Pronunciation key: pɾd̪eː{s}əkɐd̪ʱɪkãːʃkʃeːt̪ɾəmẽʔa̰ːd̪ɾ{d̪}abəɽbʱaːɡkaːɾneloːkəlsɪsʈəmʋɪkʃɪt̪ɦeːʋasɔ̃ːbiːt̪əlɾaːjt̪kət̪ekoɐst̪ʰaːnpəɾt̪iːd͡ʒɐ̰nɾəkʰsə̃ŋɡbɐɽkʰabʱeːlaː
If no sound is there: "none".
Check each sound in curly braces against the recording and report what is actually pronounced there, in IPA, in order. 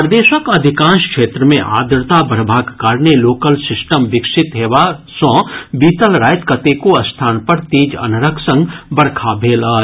ʃ, t̪

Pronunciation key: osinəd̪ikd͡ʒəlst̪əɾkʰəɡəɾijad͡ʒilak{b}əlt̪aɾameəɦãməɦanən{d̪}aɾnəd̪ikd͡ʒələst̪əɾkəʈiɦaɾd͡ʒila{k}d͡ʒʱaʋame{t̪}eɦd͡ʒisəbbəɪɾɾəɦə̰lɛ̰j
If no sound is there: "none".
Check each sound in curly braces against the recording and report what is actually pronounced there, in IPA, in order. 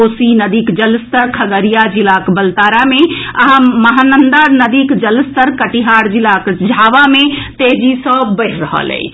b, d̪, k, t̪

